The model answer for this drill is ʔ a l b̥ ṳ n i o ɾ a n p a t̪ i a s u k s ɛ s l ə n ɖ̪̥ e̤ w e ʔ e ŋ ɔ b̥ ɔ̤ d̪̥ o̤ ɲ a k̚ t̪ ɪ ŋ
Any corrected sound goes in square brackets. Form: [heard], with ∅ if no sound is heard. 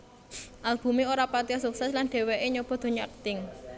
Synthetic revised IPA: ʔ a l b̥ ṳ [m] i o ɾ a [∅] p a t̪ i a s u k s ɛ s l [a] n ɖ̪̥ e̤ w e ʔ e [ɲ] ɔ b̥ ɔ̤ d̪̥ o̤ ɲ a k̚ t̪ ɪ ŋ